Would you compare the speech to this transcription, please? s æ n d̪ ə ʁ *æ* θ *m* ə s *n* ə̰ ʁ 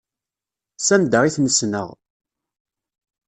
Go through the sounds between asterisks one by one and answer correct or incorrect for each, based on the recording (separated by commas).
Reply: incorrect, incorrect, correct